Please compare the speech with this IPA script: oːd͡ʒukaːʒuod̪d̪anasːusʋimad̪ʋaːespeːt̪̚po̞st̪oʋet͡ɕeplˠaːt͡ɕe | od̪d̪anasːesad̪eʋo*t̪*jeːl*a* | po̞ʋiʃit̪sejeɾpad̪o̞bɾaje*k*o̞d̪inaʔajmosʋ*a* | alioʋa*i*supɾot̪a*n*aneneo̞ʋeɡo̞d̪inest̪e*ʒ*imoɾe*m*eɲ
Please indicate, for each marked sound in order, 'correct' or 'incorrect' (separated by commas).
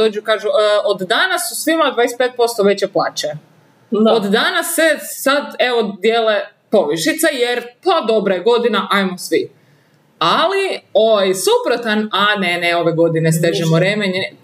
incorrect, incorrect, incorrect, incorrect, incorrect, correct, correct, correct